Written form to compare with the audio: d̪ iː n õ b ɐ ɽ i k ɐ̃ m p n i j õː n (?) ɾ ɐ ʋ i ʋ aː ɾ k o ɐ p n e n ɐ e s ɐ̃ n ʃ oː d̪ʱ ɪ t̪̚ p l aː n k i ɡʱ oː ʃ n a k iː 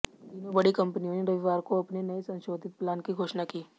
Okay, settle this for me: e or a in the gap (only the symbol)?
e